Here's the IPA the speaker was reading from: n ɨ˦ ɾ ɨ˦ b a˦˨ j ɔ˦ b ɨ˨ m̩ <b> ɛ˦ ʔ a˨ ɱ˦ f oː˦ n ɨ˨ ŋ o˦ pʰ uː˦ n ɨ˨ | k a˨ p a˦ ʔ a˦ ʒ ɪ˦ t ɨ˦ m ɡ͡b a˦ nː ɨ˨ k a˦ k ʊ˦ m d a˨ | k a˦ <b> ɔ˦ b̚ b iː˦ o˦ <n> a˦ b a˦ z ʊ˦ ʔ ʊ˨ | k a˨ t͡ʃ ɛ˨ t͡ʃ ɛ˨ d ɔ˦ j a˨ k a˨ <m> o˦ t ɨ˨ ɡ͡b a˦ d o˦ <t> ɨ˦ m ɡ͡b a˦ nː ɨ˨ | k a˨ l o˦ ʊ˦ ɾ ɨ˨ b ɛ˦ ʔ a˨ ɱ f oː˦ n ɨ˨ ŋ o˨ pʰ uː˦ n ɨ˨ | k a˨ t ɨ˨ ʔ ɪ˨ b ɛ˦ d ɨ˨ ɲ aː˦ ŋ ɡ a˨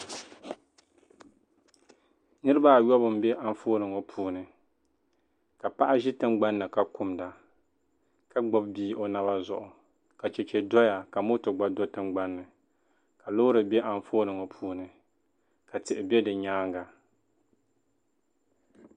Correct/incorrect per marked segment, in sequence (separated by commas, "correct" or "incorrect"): correct, incorrect, correct, correct, correct